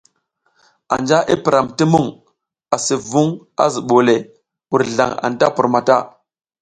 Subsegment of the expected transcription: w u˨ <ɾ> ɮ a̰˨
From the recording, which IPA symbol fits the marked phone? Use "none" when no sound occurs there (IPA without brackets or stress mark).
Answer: ɾ